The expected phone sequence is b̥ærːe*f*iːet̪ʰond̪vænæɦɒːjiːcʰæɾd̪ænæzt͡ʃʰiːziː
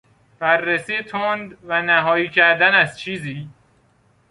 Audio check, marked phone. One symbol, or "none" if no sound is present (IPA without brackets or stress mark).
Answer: s